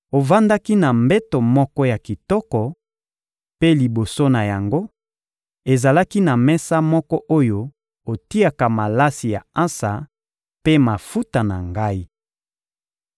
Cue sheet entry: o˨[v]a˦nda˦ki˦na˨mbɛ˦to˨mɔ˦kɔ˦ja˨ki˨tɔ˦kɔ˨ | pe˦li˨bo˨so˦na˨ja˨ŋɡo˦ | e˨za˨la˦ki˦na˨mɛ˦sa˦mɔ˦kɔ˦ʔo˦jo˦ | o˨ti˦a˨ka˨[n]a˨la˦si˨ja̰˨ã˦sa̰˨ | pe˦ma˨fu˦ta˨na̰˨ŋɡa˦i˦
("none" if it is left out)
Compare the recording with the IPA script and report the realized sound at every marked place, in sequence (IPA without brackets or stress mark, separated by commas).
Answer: v, m